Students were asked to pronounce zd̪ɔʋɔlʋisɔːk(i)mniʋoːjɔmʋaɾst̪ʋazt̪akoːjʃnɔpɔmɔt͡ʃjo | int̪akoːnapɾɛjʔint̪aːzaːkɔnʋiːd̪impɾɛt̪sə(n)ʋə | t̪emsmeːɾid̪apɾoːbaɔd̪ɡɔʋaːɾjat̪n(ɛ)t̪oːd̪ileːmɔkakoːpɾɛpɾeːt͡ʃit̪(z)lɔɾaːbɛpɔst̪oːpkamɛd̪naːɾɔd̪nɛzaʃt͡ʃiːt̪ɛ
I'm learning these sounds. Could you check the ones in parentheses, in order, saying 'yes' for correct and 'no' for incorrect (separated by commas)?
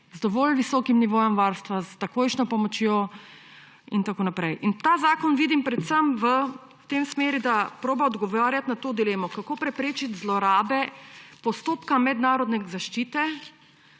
yes, no, no, yes